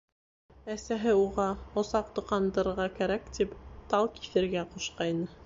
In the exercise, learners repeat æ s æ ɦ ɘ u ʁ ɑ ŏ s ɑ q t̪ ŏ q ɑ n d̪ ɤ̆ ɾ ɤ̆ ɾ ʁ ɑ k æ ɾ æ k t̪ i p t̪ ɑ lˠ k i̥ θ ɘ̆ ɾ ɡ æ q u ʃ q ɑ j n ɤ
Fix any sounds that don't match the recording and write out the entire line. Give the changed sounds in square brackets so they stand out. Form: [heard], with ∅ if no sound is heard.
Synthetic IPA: æ s æ ɦ ɘ u ʁ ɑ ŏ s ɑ q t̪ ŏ q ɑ n d̪ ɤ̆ ɾ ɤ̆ ɾ ʁ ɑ k æ ɾ æ k t̪ i p t̪ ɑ lˠ k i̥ θ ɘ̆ ɾ ɡ æ q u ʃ q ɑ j n ɤ